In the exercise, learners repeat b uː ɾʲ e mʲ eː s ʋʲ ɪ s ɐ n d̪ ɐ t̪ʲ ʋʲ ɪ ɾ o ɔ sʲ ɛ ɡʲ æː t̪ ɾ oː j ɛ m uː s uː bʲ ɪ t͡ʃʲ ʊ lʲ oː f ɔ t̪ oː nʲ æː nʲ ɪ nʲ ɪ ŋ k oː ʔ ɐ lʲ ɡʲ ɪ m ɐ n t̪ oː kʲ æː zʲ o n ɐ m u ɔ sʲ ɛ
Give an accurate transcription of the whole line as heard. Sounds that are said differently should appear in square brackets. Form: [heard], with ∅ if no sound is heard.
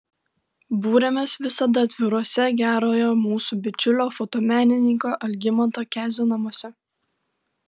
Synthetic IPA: b uː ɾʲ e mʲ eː s ʋʲ ɪ s ɐ [∅] d̪ ɐ t̪ʲ ʋʲ ɪ ɾ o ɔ sʲ ɛ ɡʲ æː [∅] ɾ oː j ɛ m uː s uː bʲ ɪ t͡ʃʲ ʊ lʲ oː f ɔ t̪ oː [mʲ] æː nʲ ɪ nʲ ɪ ŋ k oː ʔ ɐ lʲ ɡʲ ɪ m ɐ n t̪ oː kʲ æː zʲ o n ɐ m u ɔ sʲ ɛ